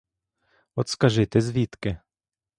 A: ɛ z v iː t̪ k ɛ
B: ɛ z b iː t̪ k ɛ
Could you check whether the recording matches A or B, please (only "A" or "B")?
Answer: A